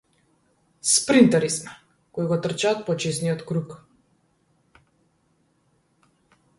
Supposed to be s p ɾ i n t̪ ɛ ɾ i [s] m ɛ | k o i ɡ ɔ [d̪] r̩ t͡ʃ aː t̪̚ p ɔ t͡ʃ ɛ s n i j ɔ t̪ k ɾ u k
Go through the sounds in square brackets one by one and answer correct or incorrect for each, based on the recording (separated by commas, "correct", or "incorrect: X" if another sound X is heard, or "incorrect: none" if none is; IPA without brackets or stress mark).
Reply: correct, incorrect: t̪